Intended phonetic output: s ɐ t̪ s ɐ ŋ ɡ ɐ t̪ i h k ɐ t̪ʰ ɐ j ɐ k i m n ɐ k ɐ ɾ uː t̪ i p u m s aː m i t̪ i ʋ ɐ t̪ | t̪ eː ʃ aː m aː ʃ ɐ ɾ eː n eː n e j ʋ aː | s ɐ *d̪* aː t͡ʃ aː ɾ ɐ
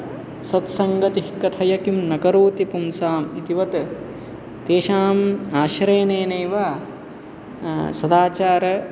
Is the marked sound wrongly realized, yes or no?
no